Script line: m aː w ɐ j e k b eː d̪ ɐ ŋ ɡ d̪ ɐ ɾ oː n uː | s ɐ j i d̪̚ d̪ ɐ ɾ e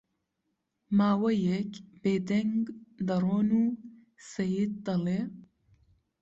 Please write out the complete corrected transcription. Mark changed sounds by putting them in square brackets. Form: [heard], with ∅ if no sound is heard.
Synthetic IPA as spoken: m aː w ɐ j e k b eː d̪ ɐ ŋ ɡ d̪ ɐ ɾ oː n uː | s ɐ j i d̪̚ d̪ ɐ [l] e